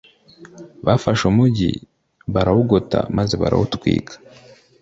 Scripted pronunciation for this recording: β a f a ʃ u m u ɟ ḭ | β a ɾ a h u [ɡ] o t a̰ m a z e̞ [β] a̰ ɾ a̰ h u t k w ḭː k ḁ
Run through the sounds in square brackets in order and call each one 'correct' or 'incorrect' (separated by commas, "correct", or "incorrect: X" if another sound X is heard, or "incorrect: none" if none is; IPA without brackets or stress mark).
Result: correct, correct